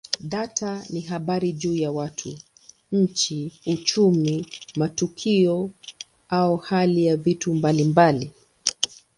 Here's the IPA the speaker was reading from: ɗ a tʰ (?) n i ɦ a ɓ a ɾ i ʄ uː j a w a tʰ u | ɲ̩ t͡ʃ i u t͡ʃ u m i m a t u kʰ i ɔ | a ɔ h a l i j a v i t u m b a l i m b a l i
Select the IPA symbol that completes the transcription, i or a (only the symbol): a